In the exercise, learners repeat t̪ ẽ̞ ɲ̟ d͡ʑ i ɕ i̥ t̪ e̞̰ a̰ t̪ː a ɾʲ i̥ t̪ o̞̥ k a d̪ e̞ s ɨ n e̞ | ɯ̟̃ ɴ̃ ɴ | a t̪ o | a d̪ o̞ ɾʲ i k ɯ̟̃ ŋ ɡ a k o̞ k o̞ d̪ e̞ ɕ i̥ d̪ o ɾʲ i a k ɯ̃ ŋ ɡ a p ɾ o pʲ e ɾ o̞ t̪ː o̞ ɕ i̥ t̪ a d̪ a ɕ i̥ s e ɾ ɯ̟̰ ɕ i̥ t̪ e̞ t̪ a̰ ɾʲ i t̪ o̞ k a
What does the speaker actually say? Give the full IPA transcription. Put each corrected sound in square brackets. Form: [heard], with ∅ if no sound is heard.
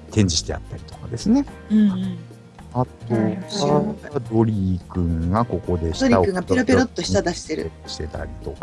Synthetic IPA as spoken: t̪ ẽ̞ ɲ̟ d͡ʑ i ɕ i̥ t̪ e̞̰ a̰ t̪ː a ɾʲ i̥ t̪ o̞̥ k a d̪ e̞ s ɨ n e̞ | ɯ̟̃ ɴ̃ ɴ | a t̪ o | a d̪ o̞ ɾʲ i k ɯ̟̃ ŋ ɡ a k o̞ k o̞ d̪ e̞ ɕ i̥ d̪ o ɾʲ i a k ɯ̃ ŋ ɡ a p ɾ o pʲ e ɾ o̞ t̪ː o̞ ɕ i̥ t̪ a d̪ a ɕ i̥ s e ɾ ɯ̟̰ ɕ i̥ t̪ e̞ t̪ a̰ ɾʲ i t̪ o̞ k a